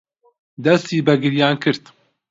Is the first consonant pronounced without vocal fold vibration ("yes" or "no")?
no